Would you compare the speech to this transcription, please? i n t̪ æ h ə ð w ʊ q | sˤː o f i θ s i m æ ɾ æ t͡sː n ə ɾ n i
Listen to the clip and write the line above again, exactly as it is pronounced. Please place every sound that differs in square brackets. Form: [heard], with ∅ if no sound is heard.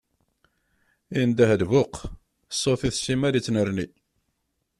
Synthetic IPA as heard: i n [d̪] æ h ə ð [v] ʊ q | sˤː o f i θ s i m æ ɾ [i] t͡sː n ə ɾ n i